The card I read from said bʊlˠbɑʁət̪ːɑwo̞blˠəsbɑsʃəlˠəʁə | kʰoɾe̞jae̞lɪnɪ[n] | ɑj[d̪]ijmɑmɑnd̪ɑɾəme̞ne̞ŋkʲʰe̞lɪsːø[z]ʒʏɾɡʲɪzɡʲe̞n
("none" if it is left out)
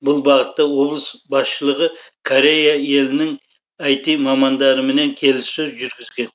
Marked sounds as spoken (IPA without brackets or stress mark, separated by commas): ŋ, t̪, z